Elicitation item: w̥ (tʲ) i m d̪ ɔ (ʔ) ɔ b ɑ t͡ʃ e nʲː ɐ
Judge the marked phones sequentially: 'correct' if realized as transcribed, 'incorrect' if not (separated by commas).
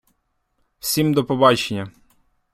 incorrect, incorrect